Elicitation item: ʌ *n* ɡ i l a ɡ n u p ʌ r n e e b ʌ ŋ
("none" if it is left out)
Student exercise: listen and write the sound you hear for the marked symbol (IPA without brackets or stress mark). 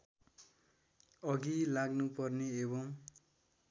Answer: none